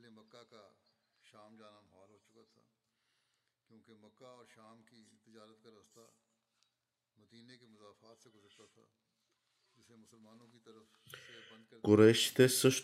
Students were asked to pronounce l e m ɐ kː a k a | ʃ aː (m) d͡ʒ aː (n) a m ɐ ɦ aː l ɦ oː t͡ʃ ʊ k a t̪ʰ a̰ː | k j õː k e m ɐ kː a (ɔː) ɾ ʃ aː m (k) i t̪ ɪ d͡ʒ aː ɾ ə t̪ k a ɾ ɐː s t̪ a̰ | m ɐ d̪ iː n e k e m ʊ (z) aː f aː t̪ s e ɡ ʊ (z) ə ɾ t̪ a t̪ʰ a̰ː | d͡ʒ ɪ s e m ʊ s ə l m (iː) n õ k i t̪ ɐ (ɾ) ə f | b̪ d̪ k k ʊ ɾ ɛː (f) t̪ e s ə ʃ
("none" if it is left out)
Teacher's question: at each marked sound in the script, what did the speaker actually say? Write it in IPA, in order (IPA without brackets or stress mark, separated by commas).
m, n, ɔː, k, z, z, aː, ɾ, ʃ